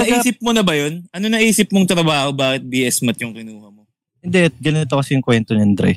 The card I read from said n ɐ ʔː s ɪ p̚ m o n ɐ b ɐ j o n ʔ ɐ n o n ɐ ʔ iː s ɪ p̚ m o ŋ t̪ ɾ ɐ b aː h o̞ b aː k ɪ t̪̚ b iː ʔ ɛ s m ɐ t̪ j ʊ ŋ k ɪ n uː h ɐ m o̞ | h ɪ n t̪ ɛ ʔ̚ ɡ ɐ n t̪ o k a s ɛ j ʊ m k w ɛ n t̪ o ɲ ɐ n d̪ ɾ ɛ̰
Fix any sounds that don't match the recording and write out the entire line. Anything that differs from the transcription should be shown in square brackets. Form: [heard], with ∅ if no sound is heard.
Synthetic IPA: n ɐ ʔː s ɪ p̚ m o n ɐ b ɐ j o n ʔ ɐ n o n ɐ ʔ iː s ɪ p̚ m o ŋ t̪ ɾ ɐ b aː h o̞ b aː k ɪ t̪̚ b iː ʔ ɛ s m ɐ t̪ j ʊ ŋ k ɪ n uː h ɐ m o̞ | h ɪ n [d̪] ɛ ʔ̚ ɡ ɐ n t̪ o k [ɐ] s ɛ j ʊ [ŋ] k w ɛ n t̪ o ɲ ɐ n d̪ ɾ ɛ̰